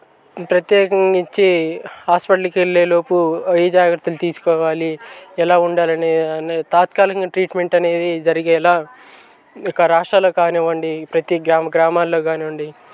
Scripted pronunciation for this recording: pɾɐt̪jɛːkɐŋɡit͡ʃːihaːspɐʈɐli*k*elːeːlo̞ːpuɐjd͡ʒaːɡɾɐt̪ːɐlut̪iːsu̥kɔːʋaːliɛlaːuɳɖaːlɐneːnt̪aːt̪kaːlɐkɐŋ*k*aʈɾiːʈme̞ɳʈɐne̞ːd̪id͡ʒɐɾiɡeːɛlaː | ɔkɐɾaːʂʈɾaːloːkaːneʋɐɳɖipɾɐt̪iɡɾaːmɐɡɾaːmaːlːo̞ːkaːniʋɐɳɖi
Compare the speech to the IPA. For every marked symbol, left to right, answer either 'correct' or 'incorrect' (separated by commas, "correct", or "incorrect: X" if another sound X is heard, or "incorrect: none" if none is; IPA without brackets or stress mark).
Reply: correct, incorrect: ɡ